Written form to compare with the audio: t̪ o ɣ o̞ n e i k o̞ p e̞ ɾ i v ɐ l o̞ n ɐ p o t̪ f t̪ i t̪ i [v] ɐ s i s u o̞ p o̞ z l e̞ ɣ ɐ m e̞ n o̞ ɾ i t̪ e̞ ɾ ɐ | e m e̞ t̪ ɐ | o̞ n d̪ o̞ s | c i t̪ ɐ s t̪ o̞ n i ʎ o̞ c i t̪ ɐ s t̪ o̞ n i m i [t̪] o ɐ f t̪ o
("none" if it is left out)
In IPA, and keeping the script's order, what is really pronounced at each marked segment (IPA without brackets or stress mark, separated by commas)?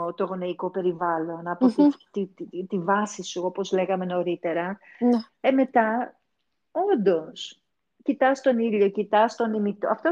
v, t̪